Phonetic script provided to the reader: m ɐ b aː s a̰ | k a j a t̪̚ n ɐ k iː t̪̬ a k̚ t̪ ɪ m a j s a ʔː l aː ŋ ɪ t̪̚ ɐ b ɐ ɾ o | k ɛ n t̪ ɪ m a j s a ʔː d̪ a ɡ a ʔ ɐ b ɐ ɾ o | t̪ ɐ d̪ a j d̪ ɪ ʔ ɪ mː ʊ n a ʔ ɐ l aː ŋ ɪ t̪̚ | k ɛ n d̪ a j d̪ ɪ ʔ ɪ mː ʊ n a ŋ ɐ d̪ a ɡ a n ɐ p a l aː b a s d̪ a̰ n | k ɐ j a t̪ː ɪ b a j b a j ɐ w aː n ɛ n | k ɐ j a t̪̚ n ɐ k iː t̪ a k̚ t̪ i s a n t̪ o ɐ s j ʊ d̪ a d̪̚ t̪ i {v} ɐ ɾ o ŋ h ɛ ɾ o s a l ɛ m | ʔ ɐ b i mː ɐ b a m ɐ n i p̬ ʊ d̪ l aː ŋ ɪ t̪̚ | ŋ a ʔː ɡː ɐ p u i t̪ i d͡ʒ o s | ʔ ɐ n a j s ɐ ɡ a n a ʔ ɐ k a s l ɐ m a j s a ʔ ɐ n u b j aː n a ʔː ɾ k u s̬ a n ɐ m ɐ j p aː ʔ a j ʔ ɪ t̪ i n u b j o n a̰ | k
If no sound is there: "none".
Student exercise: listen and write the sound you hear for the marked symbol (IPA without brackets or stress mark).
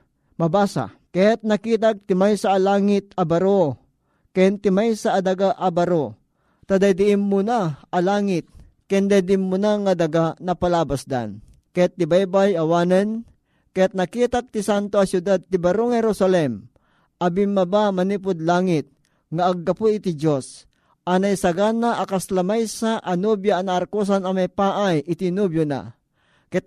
b